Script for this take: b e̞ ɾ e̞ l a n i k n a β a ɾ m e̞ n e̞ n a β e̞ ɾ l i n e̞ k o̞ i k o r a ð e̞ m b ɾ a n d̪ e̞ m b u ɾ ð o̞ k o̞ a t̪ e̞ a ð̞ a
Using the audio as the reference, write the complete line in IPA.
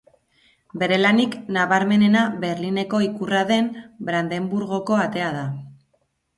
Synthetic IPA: b e̞ ɾ e̞ l a n i k n a β a ɾ m e̞ n e̞ n a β e̞ ɾ l i n e̞ k o̞ i k u r a ð e̞ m b ɾ a n d̪ e̞ m b u ɾ ɣ o̞ k o̞ a t̪ e̞ a ð̞ a